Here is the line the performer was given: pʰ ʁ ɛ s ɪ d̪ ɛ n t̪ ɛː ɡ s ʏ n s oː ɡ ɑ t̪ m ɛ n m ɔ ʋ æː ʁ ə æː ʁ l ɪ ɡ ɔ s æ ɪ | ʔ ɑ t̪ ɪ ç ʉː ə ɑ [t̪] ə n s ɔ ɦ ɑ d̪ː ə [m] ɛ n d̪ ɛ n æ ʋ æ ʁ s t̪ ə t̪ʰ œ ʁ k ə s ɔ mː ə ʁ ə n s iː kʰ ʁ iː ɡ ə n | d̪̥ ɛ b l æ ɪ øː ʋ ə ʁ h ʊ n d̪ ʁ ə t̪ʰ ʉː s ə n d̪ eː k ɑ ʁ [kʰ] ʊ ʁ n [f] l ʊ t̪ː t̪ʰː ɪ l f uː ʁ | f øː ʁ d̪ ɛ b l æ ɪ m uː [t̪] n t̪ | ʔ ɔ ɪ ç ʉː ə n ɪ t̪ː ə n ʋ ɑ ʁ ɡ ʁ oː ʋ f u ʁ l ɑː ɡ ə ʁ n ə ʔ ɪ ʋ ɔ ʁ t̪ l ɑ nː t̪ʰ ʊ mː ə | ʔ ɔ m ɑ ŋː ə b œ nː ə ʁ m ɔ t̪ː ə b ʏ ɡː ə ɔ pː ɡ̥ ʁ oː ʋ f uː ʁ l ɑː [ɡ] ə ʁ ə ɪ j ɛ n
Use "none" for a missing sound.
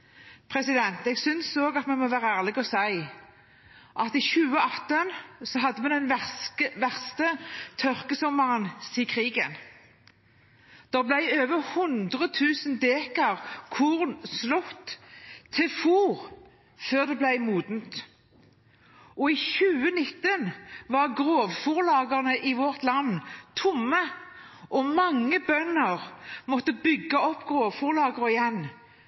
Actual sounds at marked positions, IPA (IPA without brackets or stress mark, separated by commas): t̪, m, kʰ, s, d̪, ɡ